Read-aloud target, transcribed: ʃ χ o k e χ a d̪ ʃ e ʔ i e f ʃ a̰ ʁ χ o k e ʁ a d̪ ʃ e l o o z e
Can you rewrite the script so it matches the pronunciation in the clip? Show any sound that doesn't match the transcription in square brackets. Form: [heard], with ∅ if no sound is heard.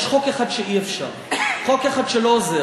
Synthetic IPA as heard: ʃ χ o k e χ a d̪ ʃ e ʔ i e f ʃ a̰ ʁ χ o k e [χ] a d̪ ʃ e l o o z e